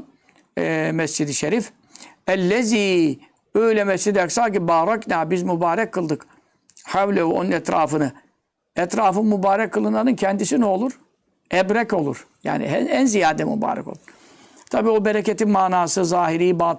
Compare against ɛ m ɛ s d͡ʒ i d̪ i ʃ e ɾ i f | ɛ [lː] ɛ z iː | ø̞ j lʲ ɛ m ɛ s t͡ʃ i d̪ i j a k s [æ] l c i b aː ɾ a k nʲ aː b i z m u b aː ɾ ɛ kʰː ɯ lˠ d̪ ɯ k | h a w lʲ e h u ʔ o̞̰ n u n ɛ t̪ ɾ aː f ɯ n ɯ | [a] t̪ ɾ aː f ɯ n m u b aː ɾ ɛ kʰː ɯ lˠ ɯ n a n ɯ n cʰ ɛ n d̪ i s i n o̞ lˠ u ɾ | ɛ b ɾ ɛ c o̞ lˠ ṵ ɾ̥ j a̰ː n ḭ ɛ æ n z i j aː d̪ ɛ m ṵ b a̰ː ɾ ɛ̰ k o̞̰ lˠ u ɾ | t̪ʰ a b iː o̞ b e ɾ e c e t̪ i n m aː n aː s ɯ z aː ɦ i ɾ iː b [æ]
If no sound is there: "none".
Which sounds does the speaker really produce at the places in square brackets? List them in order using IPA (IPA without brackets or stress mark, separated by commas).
lː, a, ɛ, a